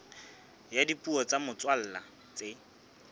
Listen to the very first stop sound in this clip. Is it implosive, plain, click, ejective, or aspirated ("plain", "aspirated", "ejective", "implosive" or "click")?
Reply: plain